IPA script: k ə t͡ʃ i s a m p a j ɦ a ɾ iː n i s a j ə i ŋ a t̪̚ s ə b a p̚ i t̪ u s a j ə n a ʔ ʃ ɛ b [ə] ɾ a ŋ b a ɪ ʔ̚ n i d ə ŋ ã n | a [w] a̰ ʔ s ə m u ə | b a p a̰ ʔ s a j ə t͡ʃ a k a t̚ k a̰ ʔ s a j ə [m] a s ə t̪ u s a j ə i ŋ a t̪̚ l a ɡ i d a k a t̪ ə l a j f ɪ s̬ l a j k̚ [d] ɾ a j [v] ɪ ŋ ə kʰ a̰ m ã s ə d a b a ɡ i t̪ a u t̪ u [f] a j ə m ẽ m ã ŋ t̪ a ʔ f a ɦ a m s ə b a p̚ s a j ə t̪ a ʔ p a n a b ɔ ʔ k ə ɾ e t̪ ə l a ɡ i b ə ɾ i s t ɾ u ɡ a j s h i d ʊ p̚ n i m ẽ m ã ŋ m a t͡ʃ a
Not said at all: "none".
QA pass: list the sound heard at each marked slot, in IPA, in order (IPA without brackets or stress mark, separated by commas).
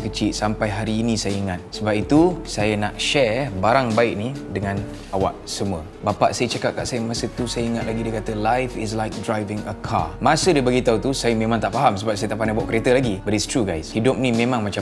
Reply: a, w, m, d, v, s